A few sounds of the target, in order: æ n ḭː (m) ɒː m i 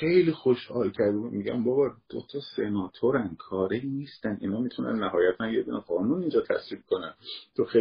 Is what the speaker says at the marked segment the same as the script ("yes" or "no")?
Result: no